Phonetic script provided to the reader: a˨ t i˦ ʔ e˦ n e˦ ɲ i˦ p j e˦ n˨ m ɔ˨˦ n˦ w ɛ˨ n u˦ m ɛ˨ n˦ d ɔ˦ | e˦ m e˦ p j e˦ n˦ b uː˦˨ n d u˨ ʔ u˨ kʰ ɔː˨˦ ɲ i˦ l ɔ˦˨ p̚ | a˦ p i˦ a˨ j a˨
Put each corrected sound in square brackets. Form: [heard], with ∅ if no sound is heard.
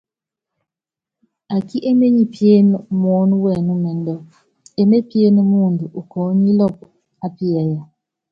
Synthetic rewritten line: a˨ [k] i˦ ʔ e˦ [m] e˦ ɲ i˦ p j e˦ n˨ m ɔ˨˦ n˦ w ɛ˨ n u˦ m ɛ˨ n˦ d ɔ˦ | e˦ m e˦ p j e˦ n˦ [m] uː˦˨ n d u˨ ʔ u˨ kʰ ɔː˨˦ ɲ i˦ l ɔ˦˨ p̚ | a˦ p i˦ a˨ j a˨